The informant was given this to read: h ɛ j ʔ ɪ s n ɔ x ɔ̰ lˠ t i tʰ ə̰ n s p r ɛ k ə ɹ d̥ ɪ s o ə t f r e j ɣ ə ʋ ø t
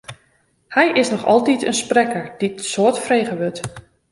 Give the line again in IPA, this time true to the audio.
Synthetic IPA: h ɛ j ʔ ɪ s n ɔ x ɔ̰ lˠ t i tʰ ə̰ n s p r ɛ k ə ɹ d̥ i s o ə t f r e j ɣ ə ʋ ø t